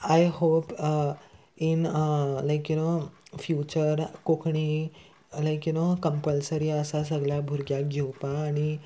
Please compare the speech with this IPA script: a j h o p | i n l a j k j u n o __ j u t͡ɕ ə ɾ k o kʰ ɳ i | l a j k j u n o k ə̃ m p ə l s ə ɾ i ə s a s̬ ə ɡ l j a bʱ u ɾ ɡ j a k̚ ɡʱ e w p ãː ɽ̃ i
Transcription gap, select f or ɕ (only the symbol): f